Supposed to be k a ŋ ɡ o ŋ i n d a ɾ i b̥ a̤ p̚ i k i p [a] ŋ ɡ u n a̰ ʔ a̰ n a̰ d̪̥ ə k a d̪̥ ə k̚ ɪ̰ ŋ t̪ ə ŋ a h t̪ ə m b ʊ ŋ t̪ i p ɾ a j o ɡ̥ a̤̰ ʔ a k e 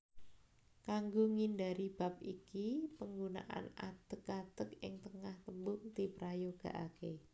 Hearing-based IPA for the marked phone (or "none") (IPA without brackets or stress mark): ə